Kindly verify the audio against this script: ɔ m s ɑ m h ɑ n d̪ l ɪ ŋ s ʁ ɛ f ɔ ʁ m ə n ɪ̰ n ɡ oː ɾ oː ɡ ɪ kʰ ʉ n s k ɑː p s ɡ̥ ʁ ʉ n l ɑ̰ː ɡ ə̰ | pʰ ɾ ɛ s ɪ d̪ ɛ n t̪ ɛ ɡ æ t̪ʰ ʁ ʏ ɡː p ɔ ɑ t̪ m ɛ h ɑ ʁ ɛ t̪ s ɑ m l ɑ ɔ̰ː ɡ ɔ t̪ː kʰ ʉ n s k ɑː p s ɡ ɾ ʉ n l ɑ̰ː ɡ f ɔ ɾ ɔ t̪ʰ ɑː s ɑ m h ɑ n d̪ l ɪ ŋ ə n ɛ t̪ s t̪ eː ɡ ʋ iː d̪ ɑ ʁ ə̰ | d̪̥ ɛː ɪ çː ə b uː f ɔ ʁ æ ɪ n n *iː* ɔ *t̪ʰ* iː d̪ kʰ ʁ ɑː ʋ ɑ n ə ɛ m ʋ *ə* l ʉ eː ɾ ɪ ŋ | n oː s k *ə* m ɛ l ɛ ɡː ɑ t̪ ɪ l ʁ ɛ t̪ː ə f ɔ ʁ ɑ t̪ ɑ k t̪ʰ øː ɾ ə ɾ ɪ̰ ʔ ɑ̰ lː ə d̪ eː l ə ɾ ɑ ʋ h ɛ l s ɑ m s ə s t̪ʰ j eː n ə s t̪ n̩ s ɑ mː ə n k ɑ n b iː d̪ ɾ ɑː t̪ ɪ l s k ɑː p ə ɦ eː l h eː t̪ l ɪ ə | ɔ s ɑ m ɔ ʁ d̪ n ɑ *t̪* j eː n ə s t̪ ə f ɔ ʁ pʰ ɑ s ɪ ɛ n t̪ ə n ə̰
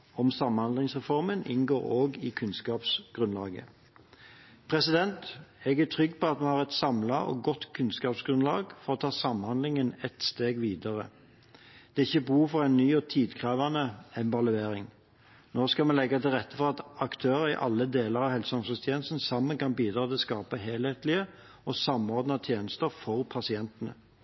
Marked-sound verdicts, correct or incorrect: incorrect, correct, incorrect, incorrect, incorrect

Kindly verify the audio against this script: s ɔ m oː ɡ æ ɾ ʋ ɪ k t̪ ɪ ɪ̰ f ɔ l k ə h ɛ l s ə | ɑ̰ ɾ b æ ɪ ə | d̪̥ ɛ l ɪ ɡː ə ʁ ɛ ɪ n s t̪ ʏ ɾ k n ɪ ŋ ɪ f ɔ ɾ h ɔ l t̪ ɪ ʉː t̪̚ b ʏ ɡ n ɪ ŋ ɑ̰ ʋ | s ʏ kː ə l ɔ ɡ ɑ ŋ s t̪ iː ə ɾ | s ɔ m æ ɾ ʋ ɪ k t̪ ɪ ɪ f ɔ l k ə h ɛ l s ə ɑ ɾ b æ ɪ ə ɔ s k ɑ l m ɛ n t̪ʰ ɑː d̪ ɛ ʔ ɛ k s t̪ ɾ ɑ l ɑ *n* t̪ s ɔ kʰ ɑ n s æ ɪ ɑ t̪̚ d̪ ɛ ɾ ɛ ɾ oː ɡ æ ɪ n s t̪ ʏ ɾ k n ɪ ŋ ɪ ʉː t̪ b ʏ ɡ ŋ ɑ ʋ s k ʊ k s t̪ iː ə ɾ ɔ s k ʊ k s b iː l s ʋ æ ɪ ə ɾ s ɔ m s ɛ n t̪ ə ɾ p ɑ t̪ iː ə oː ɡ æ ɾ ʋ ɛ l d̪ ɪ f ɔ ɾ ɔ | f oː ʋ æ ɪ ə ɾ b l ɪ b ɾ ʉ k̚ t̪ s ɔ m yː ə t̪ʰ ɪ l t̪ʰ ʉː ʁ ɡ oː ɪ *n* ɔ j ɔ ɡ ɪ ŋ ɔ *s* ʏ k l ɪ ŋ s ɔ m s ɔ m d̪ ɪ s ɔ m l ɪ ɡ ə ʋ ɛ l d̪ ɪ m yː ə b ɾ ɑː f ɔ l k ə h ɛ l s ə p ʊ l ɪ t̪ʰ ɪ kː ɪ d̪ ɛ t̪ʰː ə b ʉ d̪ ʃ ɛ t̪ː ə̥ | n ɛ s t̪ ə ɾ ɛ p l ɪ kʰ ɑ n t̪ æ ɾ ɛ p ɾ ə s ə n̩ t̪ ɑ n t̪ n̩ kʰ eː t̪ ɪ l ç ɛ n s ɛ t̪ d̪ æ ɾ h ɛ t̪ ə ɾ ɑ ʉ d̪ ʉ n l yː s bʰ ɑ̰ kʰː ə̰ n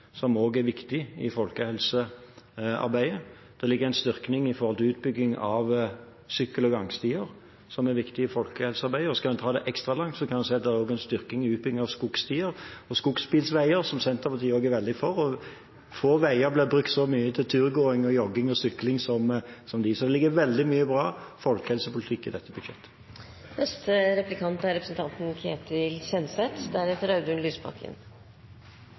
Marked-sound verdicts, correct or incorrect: incorrect, incorrect, correct

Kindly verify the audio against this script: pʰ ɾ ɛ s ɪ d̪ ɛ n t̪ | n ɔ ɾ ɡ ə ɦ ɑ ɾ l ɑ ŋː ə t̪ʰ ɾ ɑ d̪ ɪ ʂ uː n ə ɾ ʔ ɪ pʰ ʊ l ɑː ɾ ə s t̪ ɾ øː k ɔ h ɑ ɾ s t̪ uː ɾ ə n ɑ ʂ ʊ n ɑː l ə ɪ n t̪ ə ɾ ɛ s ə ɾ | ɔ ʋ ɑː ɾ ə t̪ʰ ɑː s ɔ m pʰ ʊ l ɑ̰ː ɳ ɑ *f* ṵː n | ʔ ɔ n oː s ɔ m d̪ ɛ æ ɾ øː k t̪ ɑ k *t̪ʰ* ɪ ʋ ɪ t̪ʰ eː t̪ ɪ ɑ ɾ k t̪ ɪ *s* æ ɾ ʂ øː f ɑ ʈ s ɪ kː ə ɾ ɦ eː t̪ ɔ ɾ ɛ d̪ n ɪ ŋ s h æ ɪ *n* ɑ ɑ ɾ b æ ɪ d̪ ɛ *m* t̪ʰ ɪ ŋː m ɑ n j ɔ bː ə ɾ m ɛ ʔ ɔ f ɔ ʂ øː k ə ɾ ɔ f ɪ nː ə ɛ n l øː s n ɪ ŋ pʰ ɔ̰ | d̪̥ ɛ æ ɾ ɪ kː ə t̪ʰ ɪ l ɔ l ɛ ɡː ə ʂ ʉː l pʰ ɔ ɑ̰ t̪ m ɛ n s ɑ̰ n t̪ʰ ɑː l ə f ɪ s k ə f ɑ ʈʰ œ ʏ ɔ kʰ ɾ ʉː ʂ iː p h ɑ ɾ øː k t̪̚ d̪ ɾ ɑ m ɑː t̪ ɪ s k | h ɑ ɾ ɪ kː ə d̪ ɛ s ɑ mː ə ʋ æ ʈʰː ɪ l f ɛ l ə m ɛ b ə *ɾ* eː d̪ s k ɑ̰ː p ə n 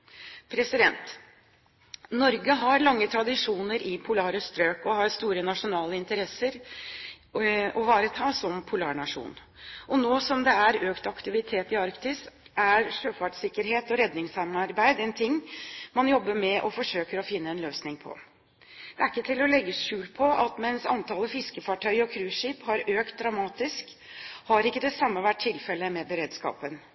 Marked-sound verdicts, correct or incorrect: incorrect, incorrect, correct, incorrect, incorrect, correct

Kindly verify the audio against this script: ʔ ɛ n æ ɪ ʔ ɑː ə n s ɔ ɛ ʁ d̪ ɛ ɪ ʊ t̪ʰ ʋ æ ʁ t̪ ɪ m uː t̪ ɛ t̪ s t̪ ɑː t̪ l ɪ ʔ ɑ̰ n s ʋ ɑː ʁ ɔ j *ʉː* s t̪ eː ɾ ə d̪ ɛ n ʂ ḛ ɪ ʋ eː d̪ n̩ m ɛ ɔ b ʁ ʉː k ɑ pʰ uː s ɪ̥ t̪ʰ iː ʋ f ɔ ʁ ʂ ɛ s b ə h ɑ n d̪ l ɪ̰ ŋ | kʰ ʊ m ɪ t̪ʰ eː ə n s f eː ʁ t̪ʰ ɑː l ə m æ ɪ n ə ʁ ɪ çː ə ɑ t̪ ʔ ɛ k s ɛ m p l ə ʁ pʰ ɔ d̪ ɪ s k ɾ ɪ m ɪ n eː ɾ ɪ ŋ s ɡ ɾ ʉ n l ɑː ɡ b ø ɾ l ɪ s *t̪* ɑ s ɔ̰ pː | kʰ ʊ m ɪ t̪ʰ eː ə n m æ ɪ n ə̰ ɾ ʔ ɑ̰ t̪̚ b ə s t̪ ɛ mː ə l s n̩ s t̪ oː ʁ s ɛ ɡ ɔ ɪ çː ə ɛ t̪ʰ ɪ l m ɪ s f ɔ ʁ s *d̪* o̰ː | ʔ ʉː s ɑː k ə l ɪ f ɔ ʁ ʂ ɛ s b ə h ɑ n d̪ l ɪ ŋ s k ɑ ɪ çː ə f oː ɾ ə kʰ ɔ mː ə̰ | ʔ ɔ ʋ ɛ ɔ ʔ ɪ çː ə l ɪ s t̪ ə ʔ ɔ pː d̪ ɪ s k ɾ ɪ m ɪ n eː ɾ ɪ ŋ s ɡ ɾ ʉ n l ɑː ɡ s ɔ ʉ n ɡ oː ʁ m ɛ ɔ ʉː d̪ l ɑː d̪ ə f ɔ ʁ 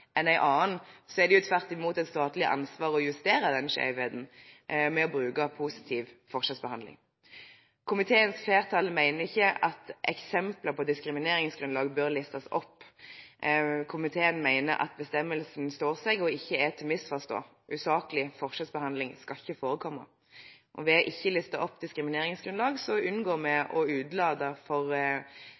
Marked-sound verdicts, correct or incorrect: incorrect, correct, incorrect

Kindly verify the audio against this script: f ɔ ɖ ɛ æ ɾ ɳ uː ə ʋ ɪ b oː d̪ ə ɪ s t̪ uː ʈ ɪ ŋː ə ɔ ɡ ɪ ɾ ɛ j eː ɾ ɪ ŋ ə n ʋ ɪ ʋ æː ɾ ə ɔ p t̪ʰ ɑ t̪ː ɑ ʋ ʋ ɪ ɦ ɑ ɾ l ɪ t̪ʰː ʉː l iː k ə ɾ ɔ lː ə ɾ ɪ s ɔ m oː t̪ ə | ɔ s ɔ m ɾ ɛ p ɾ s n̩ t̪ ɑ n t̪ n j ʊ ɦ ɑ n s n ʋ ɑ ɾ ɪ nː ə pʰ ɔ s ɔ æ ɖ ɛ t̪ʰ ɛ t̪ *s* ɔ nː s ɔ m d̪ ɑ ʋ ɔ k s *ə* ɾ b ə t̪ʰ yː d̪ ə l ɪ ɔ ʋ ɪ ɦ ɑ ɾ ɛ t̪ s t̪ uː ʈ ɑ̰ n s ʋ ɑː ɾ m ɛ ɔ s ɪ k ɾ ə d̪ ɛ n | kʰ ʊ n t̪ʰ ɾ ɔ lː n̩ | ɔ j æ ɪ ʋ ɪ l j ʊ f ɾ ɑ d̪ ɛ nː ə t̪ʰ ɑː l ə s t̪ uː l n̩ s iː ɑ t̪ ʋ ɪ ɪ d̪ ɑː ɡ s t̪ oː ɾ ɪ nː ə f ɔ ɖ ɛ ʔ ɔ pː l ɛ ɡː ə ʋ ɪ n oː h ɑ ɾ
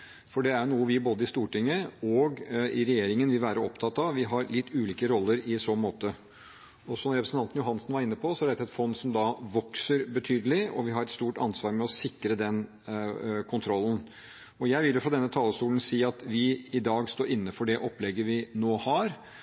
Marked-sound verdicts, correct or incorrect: incorrect, correct

